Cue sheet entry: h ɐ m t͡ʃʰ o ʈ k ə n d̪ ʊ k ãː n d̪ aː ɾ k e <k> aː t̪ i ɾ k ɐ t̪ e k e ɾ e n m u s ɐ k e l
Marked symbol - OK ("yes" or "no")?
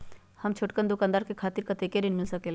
no